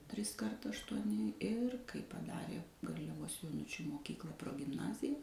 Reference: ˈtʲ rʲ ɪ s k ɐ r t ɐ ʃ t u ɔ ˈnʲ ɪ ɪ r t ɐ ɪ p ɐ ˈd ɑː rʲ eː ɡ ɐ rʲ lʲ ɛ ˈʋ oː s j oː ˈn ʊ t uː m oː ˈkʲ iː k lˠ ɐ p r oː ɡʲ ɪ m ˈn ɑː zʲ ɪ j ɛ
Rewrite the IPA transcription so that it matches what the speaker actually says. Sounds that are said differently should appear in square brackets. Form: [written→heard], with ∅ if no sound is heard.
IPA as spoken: ˈtʲ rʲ ɪ s k ɐ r t ɐ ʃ t u ɔ ˈnʲ ɪ ɪ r [t→k] ɐ ɪ p ɐ ˈd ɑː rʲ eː ɡ ɐ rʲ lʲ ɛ ˈʋ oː s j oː ˈn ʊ [t→t͡ʃʲ] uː m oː ˈkʲ iː k lˠ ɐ p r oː ɡʲ ɪ m ˈn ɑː zʲ ɪ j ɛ